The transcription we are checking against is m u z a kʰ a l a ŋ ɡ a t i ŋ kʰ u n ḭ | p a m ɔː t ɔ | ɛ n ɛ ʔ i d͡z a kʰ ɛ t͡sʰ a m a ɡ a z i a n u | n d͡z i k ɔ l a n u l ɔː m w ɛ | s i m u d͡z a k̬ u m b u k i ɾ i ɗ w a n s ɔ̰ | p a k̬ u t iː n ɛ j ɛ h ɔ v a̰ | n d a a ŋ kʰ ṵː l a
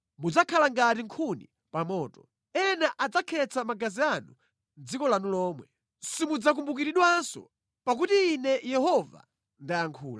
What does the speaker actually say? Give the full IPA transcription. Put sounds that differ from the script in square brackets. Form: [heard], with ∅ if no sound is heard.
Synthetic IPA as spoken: m u [d͡z] a kʰ a l a ŋ ɡ a t i ŋ kʰ u n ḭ | p a m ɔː t ɔ | ɛ n [a] ʔ [a] d͡z a kʰ ɛ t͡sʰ a m a ɡ a z i a n u | n d͡z i k ɔ l a n u l ɔː m w ɛ | s i m u d͡z a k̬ u m b u k i ɾ i ɗ w a n s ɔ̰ | p a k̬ u t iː n ɛ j ɛ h ɔ v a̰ | n d a a ŋ kʰ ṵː l a

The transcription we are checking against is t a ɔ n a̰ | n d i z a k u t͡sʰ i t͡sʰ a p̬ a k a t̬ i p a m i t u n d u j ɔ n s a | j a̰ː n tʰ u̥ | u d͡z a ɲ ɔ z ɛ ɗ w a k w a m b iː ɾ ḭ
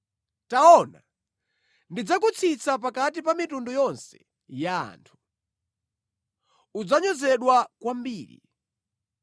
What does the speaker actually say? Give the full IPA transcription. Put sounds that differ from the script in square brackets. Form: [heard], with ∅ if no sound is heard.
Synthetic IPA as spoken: t a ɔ n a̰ | n d i [d͡z] a k u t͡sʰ i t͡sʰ a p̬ a k a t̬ i p a m i t u n d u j ɔ n s [ɛ] | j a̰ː n tʰ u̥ | u d͡z a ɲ ɔ z ɛ ɗ w a k w a m b iː ɾ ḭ

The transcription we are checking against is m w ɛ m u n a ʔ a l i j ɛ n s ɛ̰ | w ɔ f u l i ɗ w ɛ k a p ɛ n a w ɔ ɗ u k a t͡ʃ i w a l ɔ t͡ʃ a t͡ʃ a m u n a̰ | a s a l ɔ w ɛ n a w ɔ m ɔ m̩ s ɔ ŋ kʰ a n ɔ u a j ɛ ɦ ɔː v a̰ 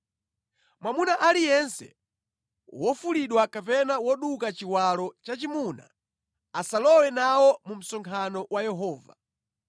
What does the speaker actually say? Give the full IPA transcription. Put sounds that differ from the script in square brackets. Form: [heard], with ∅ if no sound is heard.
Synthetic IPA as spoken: m w [a] m u n a ʔ a l i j ɛ n s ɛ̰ | w ɔ f u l i ɗ w [a] k a p ɛ n a w ɔ ɗ u k a t͡ʃ i w a l ɔ t͡ʃ a t͡ʃ [i] m u n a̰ | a s a l ɔ w ɛ n a w ɔ m [u] m̩ s ɔ ŋ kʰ a n ɔ [w] a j ɛ ɦ ɔː v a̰

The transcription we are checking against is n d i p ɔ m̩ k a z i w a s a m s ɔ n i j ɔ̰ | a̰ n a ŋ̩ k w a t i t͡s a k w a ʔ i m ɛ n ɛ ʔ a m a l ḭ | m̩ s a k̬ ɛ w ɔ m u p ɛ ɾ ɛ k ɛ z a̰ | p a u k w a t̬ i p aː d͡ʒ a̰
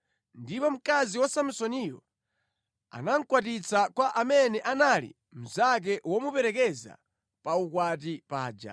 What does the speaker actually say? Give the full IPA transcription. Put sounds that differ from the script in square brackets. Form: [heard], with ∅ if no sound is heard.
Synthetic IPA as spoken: n d i p ɔ m̩ k a z i w a s a m s ɔ n i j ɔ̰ | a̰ n a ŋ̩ k w a t i t͡s a k w a ʔ [a] m ɛ n ɛ ʔ a [n] a l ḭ | m̩ [z] a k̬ ɛ w ɔ m u p ɛ ɾ ɛ k ɛ z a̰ | p a u k w a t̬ i p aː d͡ʒ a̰

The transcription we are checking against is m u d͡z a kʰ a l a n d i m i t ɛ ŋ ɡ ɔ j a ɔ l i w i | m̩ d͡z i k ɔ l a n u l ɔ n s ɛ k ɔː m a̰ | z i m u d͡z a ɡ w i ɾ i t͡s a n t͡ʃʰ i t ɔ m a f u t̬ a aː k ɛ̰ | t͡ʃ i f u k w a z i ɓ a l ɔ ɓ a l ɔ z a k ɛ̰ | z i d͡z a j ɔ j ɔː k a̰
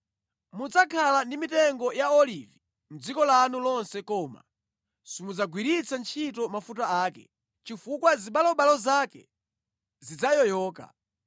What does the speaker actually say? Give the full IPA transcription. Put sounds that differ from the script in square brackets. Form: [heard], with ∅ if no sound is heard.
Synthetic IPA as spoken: m u d͡z a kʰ a l a n d i m i t ɛ ŋ ɡ ɔ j a ɔ l i [v] i | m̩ d͡z i k ɔ l a n u l ɔ n s ɛ k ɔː m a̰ | [s] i m u d͡z a ɡ w i ɾ i t͡s a n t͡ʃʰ i t ɔ m a f u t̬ a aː k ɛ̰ | t͡ʃ i f u k w a z i ɓ a l ɔ ɓ a l ɔ z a k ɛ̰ | z i d͡z a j ɔ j ɔː k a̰

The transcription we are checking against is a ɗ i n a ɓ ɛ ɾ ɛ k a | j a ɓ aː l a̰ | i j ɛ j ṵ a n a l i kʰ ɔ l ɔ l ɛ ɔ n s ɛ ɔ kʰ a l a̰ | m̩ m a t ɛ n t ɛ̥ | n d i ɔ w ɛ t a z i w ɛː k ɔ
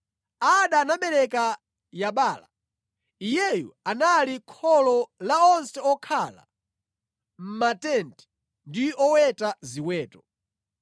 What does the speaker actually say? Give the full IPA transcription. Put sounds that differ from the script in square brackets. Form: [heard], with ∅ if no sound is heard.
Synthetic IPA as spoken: a ɗ [a] n a ɓ ɛ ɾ ɛ k a | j a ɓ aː l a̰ | i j ɛ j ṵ a n a l i kʰ ɔ l ɔ l [a] ɔ n s ɛ ɔ kʰ a l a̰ | m̩ m a t ɛ n t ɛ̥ | n d i ɔ w ɛ t a z i w ɛː [t] ɔ

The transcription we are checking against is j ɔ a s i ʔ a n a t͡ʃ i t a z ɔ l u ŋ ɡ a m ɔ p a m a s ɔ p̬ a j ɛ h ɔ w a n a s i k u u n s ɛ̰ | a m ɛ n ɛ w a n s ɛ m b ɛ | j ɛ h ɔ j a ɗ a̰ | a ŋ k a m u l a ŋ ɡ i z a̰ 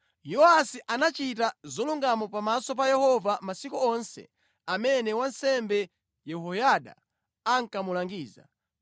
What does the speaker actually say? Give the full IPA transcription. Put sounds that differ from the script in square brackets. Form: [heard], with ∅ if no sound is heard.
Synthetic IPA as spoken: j ɔ a s i ʔ a n a t͡ʃ i t a z ɔ l u ŋ ɡ a m ɔ p a m a s ɔ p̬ a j ɛ h ɔ [v] a [m] a s i k u [ɔ] n s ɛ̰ | a m ɛ n ɛ w a n s ɛ m b ɛ | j ɛ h ɔ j a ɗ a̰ | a ŋ k a m u l a ŋ ɡ [iː] z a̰

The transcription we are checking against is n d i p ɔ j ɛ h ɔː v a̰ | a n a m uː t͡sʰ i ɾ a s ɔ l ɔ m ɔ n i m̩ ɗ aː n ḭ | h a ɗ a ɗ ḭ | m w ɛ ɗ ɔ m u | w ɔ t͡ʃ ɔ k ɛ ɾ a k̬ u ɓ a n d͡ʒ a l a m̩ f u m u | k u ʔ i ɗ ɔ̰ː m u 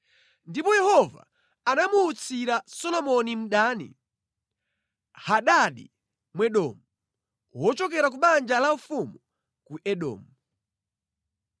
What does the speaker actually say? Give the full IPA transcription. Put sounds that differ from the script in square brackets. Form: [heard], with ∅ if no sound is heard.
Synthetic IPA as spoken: n d i p ɔ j ɛ h [ɔ] v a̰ | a n a m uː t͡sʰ i ɾ a s ɔ l ɔ m ɔ n i m̩ ɗ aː n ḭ | h a ɗ a ɗ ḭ | m w ɛ ɗ ɔ m u | w ɔ t͡ʃ ɔ k ɛ ɾ a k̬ u ɓ a n d͡ʒ a l a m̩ f u m u | k u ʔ [ɛ] ɗ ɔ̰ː m u

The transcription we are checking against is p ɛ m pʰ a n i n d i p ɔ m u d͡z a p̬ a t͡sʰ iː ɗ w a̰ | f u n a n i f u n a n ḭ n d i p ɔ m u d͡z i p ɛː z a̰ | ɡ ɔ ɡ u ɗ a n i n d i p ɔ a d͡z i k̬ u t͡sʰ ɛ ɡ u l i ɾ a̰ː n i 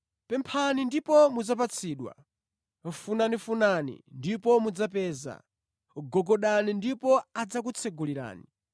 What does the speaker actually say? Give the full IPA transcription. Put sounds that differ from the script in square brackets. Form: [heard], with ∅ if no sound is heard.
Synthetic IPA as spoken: p ɛ m pʰ a n i n d i p ɔ m u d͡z a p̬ a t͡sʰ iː ɗ w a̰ | f u n a n i f u n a n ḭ n d i p ɔ m u d͡z [a] p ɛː z a̰ | ɡ ɔ ɡ [ɔ] ɗ a n i n d i p ɔ a d͡z [a] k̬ u t͡sʰ ɛ ɡ u l i ɾ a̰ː n i

